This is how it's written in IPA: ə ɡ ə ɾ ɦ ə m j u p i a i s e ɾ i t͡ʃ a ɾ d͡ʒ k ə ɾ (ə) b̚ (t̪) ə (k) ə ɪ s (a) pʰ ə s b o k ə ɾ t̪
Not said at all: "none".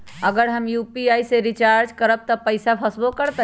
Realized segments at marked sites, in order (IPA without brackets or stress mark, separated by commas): ə, t̪, p, a